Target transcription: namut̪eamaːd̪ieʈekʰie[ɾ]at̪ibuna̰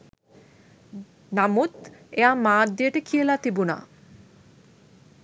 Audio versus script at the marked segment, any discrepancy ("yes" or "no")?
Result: yes